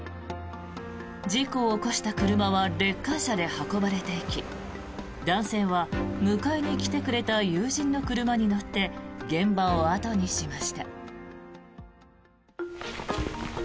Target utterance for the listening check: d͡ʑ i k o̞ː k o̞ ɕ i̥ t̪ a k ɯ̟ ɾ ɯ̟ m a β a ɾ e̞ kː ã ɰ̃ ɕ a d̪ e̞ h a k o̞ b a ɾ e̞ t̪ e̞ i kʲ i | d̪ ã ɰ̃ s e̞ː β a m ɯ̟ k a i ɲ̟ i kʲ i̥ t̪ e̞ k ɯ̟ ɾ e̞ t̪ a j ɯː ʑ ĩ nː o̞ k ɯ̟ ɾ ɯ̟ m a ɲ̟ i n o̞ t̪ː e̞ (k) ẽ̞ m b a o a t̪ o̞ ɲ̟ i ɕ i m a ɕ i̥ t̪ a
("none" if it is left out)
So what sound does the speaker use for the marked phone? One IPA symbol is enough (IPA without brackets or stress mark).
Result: ɡ